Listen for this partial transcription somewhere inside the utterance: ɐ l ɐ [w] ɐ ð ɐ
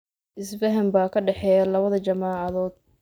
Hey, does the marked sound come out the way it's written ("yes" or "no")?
no